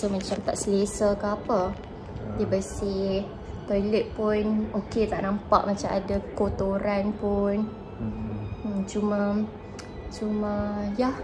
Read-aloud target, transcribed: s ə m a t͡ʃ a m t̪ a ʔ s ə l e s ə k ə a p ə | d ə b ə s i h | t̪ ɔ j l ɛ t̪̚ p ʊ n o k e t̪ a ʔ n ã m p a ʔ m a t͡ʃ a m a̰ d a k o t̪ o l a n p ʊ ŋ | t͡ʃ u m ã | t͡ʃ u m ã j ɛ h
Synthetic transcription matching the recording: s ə m a t͡ʃ a m t̪ a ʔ s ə l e s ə k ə a p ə | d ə b ə s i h | t̪ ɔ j l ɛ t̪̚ p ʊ n o k e t̪ a ʔ n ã m p a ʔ m a t͡ʃ a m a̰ d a k o t̪ o ɾ a n p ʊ n | t͡ʃ u m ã | t͡ʃ u m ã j a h